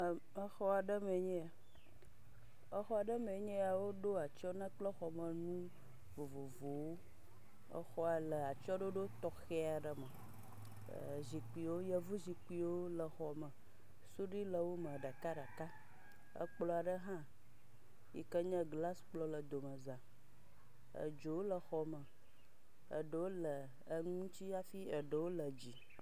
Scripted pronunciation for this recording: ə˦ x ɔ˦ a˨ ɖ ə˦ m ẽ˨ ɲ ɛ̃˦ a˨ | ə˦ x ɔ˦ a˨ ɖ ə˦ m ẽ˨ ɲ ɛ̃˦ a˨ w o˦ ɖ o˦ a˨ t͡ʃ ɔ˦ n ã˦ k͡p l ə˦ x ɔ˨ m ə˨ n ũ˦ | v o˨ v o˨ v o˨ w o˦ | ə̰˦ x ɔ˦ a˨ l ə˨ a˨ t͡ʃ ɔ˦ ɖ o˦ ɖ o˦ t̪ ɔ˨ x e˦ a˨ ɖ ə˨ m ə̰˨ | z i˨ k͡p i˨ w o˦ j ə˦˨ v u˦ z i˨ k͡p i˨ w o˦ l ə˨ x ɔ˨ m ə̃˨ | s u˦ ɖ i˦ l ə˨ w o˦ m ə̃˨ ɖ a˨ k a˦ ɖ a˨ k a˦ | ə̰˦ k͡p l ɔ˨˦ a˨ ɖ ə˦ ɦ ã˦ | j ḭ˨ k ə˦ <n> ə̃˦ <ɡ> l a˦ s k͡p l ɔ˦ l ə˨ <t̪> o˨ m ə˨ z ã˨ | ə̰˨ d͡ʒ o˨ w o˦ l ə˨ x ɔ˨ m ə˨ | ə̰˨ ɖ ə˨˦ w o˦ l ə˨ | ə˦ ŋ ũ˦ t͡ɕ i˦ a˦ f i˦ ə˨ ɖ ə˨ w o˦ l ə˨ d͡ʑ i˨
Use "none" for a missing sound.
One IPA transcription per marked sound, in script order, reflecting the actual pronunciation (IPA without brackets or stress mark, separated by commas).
ɲ, ɡ, d̪